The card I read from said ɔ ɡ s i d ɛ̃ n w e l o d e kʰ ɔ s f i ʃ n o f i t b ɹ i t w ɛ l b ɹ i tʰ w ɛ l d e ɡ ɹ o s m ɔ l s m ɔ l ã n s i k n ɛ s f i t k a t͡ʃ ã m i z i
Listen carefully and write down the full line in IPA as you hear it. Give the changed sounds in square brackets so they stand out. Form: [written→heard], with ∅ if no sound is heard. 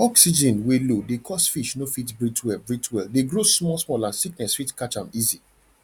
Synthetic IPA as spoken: ɔ [ɡ→k] s i [d→d͡ʒ] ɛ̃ n w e l o d e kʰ ɔ s f i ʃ n o f i t b ɹ i t w ɛ l b ɹ i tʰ w ɛ l d e ɡ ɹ o s m ɔ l s m ɔ l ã n s i k n ɛ s f i t k a t͡ʃ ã m i z i